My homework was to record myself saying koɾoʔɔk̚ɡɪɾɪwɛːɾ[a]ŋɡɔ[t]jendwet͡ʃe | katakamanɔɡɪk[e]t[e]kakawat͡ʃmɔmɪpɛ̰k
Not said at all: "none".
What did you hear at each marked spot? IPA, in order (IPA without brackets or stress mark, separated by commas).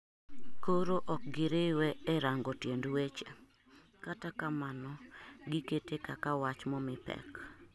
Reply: a, t, e, e